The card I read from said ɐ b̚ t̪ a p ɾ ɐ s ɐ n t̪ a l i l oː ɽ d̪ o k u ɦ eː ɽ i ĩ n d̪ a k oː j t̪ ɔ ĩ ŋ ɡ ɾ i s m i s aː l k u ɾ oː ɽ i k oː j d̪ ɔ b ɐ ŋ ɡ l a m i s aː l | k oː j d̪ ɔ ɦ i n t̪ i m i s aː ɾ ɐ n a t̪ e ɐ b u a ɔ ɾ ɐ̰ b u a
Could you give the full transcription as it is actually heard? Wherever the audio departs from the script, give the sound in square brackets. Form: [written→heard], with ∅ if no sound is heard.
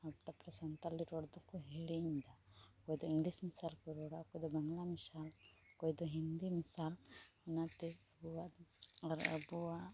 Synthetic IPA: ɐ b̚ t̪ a p ɾ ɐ s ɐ n t̪ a l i [l→ɾ] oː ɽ d̪ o k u ɦ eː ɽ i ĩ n d̪ a k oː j [t̪→d̪] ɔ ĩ ŋ ɡ [ɾ→l] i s m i s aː l k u ɾ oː ɽ [i→a] k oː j d̪ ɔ b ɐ ŋ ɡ l a m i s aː l | k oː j d̪ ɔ ɦ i n [t̪→d̪] i m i s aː [ɾ→l] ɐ n a t̪ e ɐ b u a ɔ ɾ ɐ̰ b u a